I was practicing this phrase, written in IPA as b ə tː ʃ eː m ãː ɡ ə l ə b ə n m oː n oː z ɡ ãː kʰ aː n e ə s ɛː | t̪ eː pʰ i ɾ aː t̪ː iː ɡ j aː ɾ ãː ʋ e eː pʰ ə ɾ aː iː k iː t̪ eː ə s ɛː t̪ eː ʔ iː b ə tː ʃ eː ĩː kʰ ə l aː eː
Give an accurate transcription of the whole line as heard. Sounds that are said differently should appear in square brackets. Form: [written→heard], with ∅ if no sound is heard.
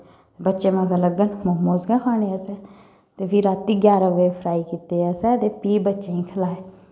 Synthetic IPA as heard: b ə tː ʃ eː m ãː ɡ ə l ə [b→ɡ] ə n m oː [n→m] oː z ɡ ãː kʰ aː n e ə s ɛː | t̪ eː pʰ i ɾ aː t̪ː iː ɡ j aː ɾ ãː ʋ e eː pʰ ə ɾ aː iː k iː t̪ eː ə s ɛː t̪ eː [ʔ→p] iː b ə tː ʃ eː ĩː kʰ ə l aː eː